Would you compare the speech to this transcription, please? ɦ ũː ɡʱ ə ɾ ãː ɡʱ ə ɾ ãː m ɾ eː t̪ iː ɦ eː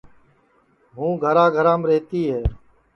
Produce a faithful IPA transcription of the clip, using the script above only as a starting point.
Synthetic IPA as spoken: ɦ ũː ɡʱ ə ɾ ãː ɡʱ ə ɾ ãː m ɾ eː t̪ iː ɦ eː